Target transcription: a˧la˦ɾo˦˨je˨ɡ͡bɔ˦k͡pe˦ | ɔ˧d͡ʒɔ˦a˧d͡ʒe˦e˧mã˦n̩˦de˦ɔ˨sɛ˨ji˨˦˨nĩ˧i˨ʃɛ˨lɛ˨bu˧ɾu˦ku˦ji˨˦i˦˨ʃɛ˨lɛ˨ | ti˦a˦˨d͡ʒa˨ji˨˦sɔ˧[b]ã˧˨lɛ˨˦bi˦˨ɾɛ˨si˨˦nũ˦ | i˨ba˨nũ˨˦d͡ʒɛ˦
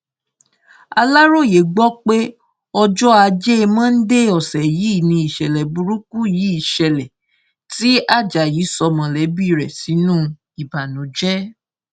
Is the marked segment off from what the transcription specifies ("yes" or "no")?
yes